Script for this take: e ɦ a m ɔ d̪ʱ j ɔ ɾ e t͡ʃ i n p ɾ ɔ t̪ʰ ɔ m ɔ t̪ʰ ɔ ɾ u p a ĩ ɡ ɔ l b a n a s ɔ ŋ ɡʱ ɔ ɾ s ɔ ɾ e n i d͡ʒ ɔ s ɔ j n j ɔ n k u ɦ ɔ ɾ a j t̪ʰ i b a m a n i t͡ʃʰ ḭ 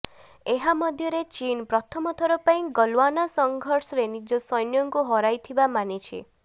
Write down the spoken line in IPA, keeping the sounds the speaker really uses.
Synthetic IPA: e ɦ a m ɔ d̪ʱ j ɔ ɾ e t͡ʃ i n p ɾ ɔ t̪ʰ ɔ m ɔ t̪ʰ ɔ ɾ ɔ p a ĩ ɡ ɔ l w a n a s ɔ ŋ ɡʱ ɔ ɾ s ɔ ɾ e n i d͡ʒ ɔ s ɔ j n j ɔ ŋ k u ɦ ɔ ɾ a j t̪ʰ i b a m a n i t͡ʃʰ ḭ